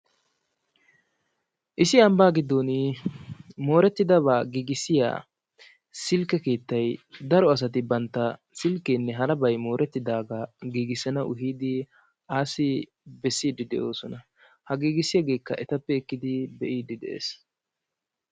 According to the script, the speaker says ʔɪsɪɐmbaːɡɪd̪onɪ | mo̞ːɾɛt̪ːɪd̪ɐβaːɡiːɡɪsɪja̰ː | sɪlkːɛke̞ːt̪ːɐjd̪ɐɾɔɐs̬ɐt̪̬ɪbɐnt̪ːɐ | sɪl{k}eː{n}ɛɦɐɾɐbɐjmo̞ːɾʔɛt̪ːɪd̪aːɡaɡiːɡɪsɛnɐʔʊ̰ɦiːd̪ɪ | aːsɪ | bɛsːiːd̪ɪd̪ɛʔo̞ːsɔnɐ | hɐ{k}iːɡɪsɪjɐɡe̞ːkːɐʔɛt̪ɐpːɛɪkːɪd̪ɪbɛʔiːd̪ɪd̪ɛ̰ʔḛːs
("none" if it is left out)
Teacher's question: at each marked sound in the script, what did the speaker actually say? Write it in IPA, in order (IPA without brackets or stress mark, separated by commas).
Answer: k, nː, ɡ